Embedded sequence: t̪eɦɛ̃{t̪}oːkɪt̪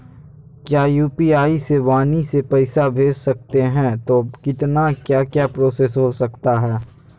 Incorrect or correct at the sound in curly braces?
correct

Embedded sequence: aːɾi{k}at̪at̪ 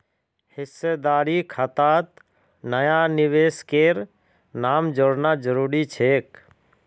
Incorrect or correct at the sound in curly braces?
incorrect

